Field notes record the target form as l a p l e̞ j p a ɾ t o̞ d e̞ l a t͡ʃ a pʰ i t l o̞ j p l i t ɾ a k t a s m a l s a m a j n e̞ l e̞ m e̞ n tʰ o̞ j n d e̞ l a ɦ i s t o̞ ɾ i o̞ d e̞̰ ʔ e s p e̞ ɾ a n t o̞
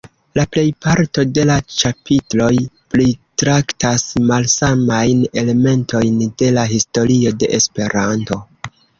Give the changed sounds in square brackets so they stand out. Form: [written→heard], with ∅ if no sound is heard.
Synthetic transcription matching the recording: l a p l e̞ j p a ɾ t o̞ d e̞ l a t͡ʃ a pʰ i t l o̞ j p l i t ɾ a k t a s m a l s a m a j n e̞ l e̞ m e̞ n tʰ o̞ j n d e̞ l a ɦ i s t o̞ ɾ i o̞ d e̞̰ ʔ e s p e̞ ɾ a n t o̞